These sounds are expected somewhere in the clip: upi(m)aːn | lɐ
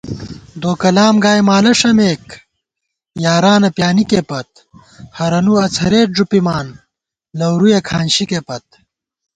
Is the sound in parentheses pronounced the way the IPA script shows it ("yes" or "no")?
yes